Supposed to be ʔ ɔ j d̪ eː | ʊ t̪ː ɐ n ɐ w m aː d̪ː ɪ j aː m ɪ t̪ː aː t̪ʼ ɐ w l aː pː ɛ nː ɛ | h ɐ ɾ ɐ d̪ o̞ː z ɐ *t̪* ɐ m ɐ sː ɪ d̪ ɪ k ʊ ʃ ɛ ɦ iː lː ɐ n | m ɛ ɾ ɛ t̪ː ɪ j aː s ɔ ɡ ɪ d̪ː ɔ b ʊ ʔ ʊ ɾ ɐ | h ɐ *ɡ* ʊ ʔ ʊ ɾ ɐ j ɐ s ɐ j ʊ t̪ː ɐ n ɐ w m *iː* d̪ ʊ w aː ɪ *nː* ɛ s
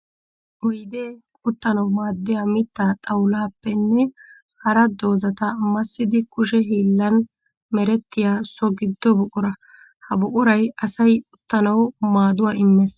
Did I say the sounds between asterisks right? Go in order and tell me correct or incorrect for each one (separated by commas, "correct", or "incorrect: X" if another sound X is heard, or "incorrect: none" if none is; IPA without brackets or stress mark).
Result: correct, incorrect: b, incorrect: aː, incorrect: mː